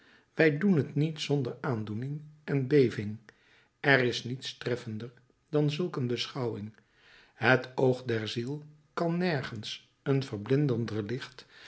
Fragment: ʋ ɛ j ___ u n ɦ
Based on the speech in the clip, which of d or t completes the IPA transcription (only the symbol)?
d